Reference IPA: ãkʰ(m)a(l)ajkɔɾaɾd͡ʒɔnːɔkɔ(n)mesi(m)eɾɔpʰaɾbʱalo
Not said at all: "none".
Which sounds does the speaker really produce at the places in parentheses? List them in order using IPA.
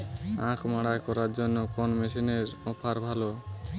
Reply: m, ɽ, n, n

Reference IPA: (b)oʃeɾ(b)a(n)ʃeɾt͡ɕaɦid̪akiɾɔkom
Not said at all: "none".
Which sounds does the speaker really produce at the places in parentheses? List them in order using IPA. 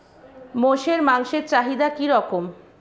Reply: m, m, ŋ

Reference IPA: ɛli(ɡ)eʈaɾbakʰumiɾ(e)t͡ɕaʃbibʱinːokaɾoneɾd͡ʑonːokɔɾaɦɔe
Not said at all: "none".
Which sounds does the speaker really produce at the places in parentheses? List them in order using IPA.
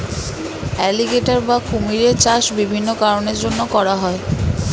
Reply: ɡ, e

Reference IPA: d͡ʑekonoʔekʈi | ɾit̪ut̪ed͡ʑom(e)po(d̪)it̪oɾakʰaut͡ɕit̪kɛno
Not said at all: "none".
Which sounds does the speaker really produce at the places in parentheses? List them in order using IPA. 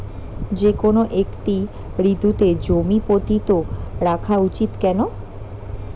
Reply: i, t̪

